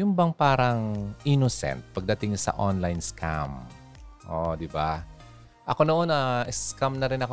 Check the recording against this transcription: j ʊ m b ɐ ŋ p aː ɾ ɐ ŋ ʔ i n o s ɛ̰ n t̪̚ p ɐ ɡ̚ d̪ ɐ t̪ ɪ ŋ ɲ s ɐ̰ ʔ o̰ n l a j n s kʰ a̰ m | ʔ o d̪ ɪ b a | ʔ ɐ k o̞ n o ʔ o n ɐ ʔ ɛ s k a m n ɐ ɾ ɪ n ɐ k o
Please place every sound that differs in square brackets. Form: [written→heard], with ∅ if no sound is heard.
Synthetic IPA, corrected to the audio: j ʊ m b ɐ ŋ p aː ɾ ɐ ŋ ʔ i n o s ɛ̰ n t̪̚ p ɐ ɡ̚ d̪ ɐ t̪ ɪ ŋ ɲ s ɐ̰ ʔ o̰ n l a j n s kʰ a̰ m | ʔ o d̪ ɪ b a | ʔ ɐ k o̞ n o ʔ o n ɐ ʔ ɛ s k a m n ɐ ɾ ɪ n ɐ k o